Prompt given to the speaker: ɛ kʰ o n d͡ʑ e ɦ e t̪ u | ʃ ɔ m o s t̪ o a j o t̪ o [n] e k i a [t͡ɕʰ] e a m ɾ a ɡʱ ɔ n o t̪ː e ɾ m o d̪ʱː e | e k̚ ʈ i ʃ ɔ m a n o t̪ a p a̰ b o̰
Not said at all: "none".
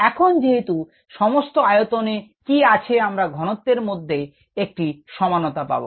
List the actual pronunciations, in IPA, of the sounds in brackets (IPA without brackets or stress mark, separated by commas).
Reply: n, t͡ɕʰ